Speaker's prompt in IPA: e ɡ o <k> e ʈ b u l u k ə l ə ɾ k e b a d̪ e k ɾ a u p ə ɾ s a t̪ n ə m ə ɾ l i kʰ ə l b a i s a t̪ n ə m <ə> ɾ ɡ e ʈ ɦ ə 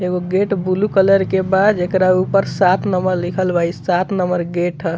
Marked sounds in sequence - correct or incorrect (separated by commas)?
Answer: incorrect, correct